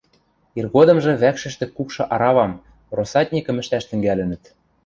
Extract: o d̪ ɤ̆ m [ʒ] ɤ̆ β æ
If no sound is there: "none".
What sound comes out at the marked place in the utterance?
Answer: ʒ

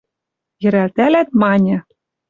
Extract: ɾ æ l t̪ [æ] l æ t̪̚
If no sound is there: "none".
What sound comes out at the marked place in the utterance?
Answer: æ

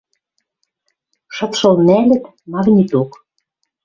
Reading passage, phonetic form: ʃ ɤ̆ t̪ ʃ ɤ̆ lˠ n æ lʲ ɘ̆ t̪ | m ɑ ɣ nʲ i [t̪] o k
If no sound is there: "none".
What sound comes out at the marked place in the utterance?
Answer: t̪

